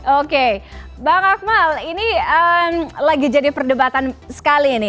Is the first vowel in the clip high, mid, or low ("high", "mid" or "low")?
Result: mid